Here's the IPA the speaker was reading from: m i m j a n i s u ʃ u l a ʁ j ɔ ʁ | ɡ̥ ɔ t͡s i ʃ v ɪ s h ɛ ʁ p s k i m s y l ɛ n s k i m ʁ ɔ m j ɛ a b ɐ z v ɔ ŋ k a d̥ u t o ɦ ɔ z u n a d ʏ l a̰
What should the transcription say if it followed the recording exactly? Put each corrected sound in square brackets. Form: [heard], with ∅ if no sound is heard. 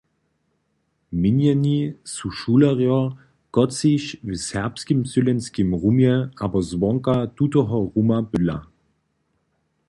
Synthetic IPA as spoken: m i [n] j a n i s u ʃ u l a ʁ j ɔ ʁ | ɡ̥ ɔ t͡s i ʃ v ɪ s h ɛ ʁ p s k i m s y l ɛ n s k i m ʁ [u] m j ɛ a b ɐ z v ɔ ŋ k a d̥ u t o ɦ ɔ [ʁ] u [m] a [b] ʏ l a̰